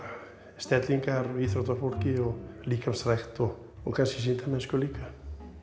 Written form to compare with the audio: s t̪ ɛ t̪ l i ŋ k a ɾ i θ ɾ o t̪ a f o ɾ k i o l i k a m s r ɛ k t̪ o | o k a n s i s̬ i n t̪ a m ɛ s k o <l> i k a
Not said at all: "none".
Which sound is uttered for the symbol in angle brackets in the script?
l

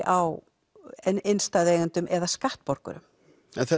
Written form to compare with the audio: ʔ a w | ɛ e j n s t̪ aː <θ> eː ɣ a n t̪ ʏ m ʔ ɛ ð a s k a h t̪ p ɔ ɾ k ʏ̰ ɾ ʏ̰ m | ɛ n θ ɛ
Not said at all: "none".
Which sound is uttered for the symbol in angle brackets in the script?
ð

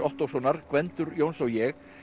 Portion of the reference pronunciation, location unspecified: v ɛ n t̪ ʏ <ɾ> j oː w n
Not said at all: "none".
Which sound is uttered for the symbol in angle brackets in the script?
ɾ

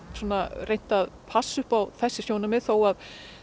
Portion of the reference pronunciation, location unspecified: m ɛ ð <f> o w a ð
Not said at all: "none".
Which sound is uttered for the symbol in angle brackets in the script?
θ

